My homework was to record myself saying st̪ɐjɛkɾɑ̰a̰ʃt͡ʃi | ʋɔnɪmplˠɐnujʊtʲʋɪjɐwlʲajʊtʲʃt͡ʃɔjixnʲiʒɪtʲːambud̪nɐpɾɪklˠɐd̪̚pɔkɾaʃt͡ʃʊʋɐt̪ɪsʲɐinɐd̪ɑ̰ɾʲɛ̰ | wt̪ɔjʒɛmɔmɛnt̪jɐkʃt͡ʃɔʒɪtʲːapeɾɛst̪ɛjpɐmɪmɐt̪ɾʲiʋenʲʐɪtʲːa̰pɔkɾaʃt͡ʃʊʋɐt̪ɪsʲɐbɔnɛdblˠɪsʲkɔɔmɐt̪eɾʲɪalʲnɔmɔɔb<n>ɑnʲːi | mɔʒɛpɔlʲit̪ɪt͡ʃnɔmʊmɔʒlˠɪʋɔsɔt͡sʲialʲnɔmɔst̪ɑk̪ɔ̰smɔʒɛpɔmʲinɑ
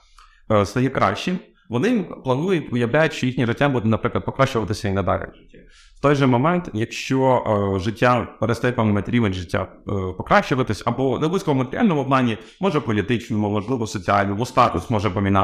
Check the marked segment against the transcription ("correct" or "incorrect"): correct